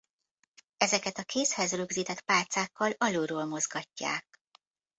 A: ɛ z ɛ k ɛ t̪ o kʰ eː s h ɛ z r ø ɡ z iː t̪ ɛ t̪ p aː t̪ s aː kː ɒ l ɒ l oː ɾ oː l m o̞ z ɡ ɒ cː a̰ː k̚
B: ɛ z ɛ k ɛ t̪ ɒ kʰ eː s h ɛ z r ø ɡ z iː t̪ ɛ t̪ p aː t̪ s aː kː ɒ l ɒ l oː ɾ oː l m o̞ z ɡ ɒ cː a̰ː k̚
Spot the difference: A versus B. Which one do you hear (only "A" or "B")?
B